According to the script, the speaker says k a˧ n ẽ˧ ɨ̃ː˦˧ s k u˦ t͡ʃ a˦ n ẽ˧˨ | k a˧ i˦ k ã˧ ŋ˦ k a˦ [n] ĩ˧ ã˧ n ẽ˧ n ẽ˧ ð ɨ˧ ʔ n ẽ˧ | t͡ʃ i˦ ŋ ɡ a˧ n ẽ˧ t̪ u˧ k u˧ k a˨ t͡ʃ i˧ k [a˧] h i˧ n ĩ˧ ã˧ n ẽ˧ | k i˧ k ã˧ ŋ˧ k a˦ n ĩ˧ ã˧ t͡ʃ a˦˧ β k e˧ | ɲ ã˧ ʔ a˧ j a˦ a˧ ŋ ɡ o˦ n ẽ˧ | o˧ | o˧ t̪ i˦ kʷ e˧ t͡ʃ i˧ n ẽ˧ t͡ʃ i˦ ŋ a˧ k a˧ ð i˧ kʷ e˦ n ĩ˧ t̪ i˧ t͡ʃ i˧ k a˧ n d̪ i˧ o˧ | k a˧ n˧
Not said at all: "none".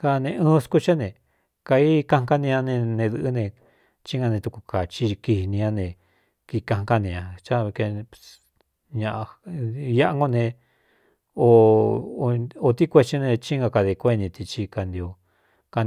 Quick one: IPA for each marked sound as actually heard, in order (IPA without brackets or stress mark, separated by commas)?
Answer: n, i˧